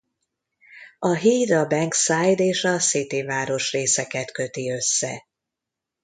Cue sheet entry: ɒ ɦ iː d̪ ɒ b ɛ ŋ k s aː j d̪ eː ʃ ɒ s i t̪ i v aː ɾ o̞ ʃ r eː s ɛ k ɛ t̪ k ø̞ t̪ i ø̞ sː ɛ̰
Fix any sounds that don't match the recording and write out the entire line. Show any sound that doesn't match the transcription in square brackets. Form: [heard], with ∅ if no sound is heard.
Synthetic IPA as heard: ɒ ɦ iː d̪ ɒ b ɛ ŋ k s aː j d̪ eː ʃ ɒ s i t̪ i v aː ɾ o̞ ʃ r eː s ɛ k ɛ t̪ k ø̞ t̪ i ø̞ sː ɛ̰

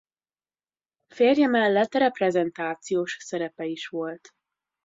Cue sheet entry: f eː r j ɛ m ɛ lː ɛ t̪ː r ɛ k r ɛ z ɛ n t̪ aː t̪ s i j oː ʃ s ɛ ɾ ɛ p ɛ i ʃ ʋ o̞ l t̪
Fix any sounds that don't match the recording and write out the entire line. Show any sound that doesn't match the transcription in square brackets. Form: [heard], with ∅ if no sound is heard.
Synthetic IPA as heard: f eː r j ɛ m ɛ lː ɛ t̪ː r ɛ [p] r ɛ z ɛ n t̪ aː t̪ s i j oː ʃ s ɛ ɾ ɛ p ɛ i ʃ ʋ o̞ l t̪

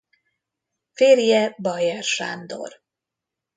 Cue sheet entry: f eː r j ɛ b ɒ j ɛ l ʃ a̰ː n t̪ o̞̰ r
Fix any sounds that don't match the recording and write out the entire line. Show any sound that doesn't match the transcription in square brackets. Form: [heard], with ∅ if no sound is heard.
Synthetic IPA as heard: f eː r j ɛ b ɒ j ɛ [r] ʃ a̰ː n [d̪] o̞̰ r

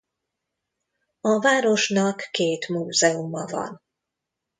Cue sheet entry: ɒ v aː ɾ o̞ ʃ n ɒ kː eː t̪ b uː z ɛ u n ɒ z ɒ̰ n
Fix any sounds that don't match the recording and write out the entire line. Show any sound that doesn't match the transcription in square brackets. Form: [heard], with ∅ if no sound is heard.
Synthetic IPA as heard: ɒ v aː ɾ o̞ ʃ n ɒ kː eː t̪ [m] uː z ɛ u [m] ɒ [v] ɒ̰ n

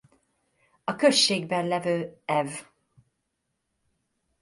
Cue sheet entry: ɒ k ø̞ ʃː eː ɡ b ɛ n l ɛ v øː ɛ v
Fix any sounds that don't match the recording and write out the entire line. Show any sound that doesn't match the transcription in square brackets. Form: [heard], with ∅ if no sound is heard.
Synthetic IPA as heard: ɒ k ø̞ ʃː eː ɡ b ɛ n l ɛ v øː ɛ v

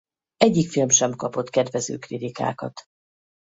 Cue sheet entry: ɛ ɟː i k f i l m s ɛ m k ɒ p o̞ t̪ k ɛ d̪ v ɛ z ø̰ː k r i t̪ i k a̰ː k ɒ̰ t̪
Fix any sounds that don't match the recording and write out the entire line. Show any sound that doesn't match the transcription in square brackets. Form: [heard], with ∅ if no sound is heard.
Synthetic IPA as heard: ɛ ɟː i k f i l m [ʃ] ɛ m k ɒ p o̞ t̪ k ɛ d̪ v ɛ z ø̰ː k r i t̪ i k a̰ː k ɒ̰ t̪

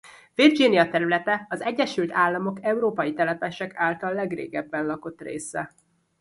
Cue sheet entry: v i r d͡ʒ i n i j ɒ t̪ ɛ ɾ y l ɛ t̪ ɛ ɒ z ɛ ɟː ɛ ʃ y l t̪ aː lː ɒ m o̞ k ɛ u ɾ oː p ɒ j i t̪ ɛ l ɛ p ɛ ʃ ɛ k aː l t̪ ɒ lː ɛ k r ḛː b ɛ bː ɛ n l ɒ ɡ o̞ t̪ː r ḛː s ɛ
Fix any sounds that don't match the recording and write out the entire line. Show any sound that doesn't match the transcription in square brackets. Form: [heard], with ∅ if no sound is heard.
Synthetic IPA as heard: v i r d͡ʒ i n i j ɒ t̪ ɛ ɾ y l ɛ t̪ ɛ ɒ z ɛ ɟː ɛ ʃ y l t̪ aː lː ɒ m o̞ k ɛ u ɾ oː p ɒ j i t̪ ɛ l ɛ p ɛ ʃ ɛ k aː l t̪ ɒ lː ɛ [ɡ] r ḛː [ɡ] ɛ bː ɛ n l ɒ [k] o̞ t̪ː r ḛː s ɛ

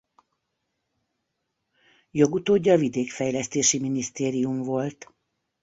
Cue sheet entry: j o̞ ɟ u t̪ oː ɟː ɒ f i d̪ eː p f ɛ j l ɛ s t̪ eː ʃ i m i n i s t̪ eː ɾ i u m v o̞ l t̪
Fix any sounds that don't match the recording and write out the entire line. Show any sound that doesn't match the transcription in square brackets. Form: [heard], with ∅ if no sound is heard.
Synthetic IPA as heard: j o̞ [ɡ] u t̪ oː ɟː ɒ [v] i d̪ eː [k] f ɛ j l ɛ s t̪ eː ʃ i m i n i s t̪ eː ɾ i u m v o̞ l t̪

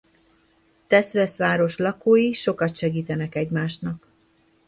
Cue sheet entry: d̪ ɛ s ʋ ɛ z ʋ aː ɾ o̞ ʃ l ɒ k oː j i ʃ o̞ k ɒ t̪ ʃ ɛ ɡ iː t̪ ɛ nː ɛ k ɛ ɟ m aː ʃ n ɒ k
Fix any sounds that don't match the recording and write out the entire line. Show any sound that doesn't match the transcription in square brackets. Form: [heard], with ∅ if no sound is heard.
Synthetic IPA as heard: [t̪] ɛ s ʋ ɛ [s] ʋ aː ɾ o̞ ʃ l ɒ k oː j i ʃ o̞ k ɒ t̪ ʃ ɛ ɡ iː t̪ ɛ [n] ɛ k ɛ ɟ m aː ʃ n ɒ k

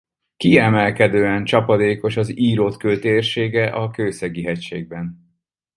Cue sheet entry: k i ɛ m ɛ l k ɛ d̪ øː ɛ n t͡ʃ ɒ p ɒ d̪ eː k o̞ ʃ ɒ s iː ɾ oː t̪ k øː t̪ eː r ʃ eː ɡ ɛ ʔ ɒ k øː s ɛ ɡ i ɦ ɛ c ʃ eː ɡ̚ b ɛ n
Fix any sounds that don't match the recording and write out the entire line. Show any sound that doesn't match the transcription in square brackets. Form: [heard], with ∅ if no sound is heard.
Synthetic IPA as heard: k i ɛ m ɛ l k ɛ d̪ øː ɛ n t͡ʃ ɒ p ɒ d̪ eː k o̞ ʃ ɒ [z] iː ɾ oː t̪ k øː t̪ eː r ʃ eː ɡ ɛ ʔ ɒ k øː s ɛ ɡ i ɦ ɛ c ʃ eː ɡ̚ b ɛ n

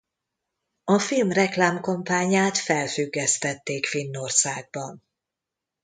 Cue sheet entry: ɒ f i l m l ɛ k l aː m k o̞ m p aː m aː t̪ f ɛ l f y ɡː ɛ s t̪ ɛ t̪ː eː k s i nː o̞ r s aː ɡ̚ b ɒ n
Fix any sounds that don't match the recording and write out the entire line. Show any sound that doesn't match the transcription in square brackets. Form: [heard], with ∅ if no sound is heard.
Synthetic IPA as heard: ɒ f i l m [r] ɛ k l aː m k o̞ m p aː [ɲ] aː t̪ f ɛ l f y ɡː ɛ s t̪ ɛ t̪ː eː k [f] i nː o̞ r s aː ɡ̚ b ɒ n

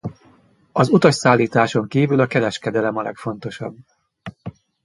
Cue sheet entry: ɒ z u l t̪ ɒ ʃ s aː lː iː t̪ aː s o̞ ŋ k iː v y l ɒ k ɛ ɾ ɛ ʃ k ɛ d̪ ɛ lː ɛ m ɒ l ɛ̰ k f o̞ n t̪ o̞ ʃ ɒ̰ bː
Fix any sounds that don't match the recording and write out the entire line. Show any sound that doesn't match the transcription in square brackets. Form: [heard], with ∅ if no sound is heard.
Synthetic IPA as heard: ɒ z u [∅] t̪ ɒ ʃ s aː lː iː t̪ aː [ʃ] o̞ ŋ k iː v y l ɒ k ɛ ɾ ɛ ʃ k ɛ d̪ ɛ [l] ɛ m ɒ l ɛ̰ k f o̞ n t̪ o̞ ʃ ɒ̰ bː

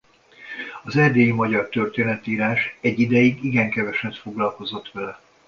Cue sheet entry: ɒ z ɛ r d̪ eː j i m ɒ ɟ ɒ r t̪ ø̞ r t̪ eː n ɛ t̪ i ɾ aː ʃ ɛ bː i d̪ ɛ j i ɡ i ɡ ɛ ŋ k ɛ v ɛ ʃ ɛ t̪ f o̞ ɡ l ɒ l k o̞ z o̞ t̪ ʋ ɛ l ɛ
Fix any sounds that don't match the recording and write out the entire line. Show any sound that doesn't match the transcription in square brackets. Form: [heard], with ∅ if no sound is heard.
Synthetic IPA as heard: ɒ z ɛ r d̪ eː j i m ɒ ɟ ɒ r t̪ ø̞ r t̪ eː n ɛ t̪ [iː] ɾ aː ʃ ɛ [ɟː] i d̪ ɛ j i ɡ i ɡ ɛ ŋ k ɛ v ɛ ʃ ɛ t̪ f o̞ ɡ l ɒ l k o̞ z o̞ t̪ ʋ ɛ l ɛ

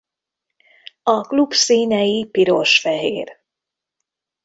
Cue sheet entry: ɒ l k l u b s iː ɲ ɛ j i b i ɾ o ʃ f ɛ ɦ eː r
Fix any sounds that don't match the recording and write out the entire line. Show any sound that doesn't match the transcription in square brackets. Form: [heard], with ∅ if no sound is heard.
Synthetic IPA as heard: ɒ [∅] k l u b s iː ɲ ɛ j i [p] i ɾ o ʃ f ɛ ɦ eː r

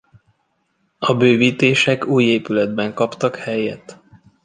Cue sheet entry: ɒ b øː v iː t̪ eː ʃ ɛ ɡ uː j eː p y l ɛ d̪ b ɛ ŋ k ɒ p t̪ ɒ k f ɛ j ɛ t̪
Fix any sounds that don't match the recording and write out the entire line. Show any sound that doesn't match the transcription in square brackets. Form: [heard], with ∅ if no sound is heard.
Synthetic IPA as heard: ɒ b øː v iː t̪ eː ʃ ɛ [k] uː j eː p y l ɛ d̪ b ɛ ŋ k ɒ p t̪ ɒ k [h] ɛ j ɛ t̪

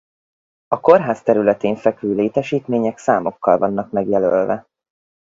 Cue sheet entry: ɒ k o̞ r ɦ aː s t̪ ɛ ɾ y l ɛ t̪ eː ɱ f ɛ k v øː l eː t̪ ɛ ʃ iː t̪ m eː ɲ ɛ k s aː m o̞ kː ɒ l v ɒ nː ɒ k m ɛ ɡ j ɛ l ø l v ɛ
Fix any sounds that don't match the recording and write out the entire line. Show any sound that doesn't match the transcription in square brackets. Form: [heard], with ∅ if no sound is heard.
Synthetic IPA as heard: ɒ k o̞ r ɦ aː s t̪ ɛ ɾ y l ɛ t̪ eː ɱ f ɛ k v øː l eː t̪ ɛ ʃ iː t̪ m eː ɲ ɛ k s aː m o̞ kː ɒ l v ɒ nː ɒ k m ɛ ɡ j ɛ l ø l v ɛ

